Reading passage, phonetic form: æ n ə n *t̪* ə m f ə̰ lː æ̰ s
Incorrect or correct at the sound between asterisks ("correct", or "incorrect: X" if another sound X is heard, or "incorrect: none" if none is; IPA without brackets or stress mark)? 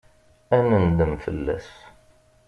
incorrect: d̪